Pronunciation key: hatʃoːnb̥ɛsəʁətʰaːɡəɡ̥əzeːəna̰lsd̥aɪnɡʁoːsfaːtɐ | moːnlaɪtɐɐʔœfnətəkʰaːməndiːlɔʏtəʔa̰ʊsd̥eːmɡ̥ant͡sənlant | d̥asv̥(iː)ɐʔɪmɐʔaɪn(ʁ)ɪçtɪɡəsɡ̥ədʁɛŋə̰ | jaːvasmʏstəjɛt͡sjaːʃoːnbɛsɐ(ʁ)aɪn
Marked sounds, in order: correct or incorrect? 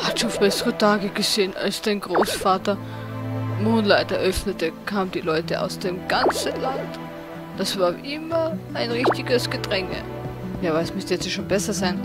incorrect: aː, correct, incorrect: z

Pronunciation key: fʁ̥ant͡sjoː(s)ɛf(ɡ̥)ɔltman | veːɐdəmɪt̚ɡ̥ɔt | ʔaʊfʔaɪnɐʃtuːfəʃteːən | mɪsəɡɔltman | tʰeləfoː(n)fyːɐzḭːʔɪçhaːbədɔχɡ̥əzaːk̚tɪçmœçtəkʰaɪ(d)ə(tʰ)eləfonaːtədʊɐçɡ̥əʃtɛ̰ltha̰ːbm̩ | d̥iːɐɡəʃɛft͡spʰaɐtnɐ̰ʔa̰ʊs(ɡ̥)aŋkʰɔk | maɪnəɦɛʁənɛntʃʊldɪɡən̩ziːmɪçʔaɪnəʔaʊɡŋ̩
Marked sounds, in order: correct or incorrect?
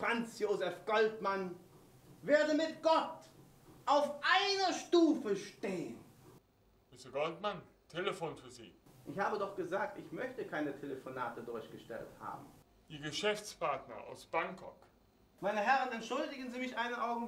incorrect: z, correct, correct, incorrect: n, correct, incorrect: b̥

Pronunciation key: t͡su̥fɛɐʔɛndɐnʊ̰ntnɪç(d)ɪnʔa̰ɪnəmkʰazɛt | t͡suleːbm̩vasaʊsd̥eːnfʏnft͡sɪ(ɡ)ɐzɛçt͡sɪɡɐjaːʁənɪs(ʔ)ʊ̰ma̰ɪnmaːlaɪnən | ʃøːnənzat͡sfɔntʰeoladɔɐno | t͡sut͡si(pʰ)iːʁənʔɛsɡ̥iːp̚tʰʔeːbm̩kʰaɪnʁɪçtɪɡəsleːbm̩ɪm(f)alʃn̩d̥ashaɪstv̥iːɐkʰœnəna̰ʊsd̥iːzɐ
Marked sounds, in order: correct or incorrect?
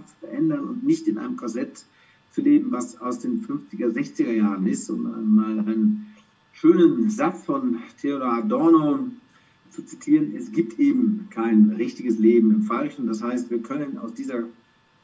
incorrect: t, correct, incorrect: t, incorrect: tʰ, correct

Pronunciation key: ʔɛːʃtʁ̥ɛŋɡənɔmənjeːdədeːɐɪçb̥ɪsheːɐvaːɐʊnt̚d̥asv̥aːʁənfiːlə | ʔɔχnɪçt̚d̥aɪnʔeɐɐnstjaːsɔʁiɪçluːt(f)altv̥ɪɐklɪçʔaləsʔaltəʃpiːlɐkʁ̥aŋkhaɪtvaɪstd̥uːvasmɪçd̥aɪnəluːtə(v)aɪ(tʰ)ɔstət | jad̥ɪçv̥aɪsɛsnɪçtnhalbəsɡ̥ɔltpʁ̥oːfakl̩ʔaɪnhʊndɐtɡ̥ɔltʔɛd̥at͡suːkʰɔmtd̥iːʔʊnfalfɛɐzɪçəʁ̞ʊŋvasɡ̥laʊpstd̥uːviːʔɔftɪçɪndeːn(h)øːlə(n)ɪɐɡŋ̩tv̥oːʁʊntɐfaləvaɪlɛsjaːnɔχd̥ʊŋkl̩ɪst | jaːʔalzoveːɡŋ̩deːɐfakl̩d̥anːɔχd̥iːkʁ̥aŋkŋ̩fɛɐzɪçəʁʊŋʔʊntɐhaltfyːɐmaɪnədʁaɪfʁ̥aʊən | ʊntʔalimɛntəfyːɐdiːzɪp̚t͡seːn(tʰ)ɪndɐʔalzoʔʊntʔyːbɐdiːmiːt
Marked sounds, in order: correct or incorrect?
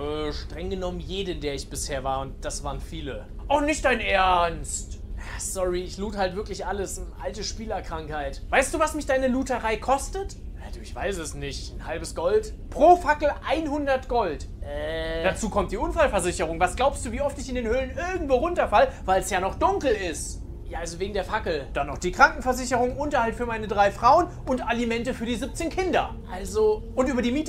incorrect: h, incorrect: ʁ, incorrect: kʰ, correct, correct, incorrect: kʰ

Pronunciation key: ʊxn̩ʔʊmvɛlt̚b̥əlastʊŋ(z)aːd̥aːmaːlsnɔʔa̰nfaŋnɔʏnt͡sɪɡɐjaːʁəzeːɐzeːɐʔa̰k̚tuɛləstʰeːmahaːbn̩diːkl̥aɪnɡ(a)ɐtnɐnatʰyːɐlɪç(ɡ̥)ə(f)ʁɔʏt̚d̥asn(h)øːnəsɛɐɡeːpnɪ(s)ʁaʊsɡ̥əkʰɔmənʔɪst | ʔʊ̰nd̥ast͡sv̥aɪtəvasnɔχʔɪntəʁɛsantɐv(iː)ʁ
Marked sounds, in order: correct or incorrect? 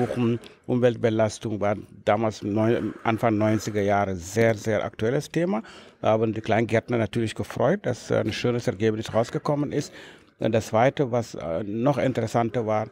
incorrect: v, incorrect: ɛ, correct, correct, incorrect: ʃ, correct, incorrect: aː

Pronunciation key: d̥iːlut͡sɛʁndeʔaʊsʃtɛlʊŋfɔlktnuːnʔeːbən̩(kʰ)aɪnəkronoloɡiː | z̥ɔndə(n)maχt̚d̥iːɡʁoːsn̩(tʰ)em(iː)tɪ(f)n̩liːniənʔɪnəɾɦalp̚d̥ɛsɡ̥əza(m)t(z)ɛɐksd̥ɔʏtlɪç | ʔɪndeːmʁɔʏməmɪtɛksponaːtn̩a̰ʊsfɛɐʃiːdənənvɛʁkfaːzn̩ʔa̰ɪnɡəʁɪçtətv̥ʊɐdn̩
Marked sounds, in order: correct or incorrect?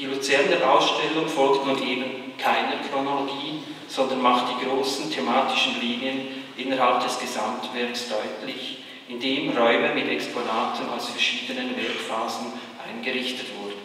correct, correct, correct, incorrect: aː, incorrect: ʃ, correct, incorrect: v

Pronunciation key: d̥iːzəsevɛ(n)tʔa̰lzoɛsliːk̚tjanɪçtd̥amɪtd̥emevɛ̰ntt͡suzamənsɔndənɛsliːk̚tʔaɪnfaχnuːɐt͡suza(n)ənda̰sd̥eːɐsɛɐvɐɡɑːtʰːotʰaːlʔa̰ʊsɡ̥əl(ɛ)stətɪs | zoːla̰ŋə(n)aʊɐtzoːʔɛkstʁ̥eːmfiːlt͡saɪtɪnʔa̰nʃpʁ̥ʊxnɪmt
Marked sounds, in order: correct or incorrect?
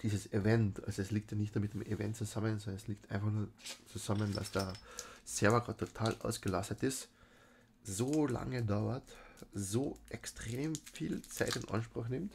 correct, incorrect: m, incorrect: a, incorrect: d

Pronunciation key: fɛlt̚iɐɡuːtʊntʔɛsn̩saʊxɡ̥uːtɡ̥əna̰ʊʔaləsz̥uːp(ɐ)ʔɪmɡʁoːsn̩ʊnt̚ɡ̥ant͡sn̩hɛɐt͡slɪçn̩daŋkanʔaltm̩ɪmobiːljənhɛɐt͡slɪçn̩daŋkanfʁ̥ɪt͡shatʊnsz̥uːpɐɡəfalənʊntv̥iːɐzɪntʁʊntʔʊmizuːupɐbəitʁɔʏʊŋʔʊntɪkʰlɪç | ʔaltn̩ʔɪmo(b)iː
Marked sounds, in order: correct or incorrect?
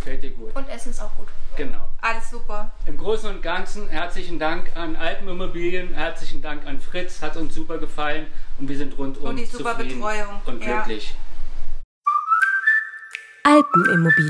correct, correct

